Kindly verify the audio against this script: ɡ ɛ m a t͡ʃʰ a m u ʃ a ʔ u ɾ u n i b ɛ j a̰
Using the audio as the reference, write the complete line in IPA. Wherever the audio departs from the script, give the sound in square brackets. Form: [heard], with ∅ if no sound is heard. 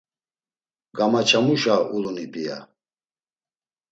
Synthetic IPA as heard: ɡ [a] m a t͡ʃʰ a m u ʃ a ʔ u [l] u n i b [i] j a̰